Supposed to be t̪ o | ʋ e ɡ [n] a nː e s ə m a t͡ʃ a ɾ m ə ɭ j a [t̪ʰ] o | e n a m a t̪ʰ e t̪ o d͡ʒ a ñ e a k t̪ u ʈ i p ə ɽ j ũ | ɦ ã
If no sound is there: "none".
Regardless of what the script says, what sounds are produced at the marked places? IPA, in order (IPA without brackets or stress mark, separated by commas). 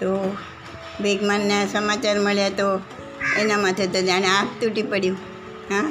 m, t̪